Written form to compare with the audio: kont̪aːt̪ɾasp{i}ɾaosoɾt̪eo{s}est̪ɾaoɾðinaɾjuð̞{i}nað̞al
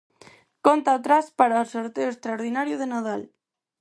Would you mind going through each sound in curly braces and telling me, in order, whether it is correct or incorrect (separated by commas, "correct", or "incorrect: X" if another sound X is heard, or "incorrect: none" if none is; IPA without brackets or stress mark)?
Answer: incorrect: a, incorrect: none, incorrect: e